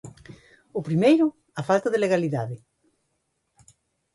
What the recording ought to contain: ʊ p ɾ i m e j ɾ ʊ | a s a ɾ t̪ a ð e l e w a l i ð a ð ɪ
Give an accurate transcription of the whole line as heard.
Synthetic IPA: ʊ p ɾ i m e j ɾ ʊ | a f a l t̪ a ð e l e ɣ a l i ð a ð ɪ